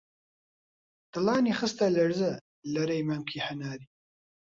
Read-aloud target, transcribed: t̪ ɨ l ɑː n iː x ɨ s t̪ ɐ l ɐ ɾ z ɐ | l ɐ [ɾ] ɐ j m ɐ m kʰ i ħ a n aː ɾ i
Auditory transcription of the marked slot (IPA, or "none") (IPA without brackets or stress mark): ɾ